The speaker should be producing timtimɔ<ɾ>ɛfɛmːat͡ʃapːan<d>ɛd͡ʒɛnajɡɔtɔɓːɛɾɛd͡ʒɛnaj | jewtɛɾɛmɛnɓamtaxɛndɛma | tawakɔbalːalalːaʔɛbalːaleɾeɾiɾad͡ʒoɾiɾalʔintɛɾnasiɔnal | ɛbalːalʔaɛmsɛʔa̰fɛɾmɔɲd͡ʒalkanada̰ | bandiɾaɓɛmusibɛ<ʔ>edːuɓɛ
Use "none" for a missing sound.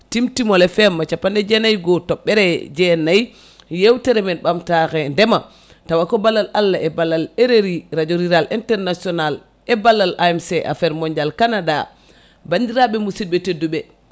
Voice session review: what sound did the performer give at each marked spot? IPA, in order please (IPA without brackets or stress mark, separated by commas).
l, d, t